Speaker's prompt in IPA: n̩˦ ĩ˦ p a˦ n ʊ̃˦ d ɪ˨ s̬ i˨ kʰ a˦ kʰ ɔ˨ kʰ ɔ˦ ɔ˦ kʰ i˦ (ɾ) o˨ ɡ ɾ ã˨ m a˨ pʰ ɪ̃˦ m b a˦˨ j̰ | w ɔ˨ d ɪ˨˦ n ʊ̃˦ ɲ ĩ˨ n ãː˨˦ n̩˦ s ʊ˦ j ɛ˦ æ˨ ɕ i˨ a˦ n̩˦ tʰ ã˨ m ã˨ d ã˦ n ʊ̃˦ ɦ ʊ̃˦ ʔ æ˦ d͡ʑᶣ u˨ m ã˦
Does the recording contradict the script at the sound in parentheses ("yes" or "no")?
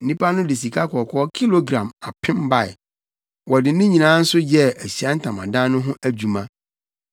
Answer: yes